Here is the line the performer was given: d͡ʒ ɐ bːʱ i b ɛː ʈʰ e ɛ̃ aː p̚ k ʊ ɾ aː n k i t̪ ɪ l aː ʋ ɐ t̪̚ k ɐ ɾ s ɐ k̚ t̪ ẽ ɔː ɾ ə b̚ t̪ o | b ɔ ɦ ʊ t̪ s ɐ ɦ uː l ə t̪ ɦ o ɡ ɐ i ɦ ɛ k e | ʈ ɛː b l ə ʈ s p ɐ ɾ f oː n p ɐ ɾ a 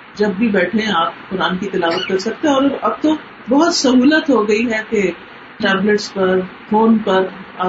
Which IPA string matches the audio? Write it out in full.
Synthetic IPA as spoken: d͡ʒ ɐ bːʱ i b ɛː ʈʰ e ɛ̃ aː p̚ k ʊ ɾ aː n k i t̪ ɪ l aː ʋ ə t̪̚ k ɐ ɾ s ɐ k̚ t̪ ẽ ɔː ɾ ɐ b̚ t̪ o | b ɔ ɦ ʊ t̪ s ɐ ɦ uː l ə t̪ ɦ o ɡ ɐ i ɦ ɛ k e | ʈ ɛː b l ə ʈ s p ɐ ɾ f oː n p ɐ ɾ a